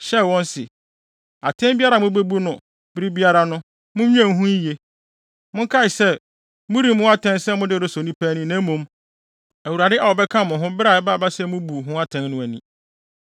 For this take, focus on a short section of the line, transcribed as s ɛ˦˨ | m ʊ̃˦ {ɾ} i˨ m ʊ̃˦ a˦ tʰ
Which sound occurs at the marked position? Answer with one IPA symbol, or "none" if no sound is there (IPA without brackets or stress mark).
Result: ɾ